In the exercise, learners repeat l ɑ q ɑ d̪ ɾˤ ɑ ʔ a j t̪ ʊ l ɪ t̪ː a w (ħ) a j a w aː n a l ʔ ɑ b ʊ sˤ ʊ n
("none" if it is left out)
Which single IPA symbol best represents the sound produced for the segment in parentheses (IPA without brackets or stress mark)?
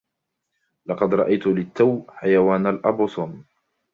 ħ